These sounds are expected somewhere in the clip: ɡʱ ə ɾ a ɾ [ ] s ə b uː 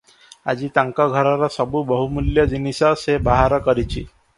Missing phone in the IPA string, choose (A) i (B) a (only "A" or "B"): B